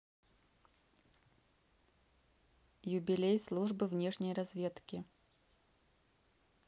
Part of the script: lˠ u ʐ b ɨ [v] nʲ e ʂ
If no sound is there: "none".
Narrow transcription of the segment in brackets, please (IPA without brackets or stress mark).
v